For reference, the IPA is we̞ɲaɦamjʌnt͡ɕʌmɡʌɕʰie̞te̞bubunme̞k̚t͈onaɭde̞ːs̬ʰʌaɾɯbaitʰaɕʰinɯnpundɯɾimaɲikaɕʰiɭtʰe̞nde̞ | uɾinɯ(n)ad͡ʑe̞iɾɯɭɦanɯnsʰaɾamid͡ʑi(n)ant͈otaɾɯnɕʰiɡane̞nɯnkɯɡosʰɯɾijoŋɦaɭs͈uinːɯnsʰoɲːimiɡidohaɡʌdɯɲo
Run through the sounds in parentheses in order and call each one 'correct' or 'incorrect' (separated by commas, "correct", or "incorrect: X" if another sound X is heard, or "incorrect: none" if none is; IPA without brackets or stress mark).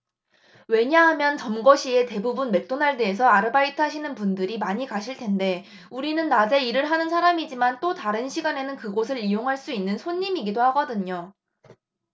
incorrect: nː, incorrect: m